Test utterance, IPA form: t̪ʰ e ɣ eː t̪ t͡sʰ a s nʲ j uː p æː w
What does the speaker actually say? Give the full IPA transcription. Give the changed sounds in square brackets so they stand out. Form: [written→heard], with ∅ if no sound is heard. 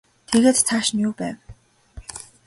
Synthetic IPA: t̪ʰ e ɣ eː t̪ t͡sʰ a [s→ʃ] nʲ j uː p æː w